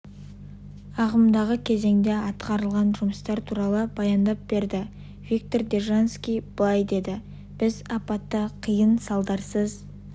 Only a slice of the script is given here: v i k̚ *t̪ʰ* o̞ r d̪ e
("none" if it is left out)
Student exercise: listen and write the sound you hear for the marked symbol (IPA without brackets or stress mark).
t̪